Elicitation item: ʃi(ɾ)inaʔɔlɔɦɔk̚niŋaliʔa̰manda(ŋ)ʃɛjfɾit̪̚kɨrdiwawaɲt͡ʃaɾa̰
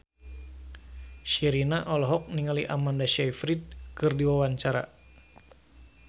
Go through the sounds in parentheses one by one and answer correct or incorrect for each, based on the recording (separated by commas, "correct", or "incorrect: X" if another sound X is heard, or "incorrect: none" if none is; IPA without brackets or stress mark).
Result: correct, incorrect: none